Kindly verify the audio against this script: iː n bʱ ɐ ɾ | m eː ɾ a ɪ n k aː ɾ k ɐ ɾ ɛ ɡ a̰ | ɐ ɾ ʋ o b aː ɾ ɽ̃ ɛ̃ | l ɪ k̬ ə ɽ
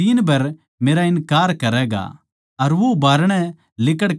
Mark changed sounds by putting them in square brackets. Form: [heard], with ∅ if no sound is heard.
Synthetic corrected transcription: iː n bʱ ɐ ɾ | m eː ɾ a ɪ n k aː ɾ k ɐ ɾ ɛ ɡ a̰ | ɐ ɾ ʋ o b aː ɾ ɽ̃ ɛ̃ | l ɪ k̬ ə ɽ